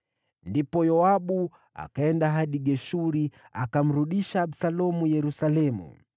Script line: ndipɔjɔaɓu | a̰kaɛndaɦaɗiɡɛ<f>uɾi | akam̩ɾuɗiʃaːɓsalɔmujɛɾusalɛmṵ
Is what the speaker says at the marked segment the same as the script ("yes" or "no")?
no